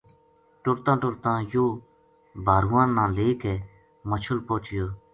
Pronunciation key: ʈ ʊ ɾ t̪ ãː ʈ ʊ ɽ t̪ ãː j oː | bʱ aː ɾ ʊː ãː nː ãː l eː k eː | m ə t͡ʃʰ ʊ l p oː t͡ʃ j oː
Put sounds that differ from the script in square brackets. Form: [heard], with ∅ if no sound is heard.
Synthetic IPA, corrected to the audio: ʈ ʊ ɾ t̪ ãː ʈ ʊ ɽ t̪ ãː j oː | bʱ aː ɾ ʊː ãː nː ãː l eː k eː | m ə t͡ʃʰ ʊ l p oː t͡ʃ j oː